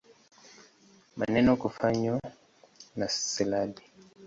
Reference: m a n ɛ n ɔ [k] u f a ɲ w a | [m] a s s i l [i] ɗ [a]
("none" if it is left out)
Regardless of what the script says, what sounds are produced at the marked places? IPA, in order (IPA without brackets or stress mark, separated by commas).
k, n, a, i